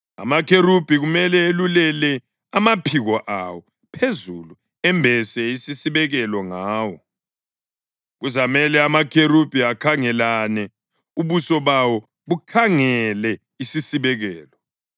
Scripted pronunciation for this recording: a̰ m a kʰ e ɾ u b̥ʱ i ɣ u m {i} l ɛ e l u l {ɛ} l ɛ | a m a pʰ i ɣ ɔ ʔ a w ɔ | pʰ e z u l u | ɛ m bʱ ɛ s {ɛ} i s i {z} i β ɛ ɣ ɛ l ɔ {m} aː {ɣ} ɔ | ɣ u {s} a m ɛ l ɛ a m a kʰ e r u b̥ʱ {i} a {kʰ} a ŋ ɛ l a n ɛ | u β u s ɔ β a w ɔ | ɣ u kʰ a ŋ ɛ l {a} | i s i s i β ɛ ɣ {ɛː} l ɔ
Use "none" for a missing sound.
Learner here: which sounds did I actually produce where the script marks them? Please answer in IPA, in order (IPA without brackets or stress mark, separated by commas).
ɛ, ɛ, ɛ, s, ŋ, w, z, i, kʰ, ɛ, ɛː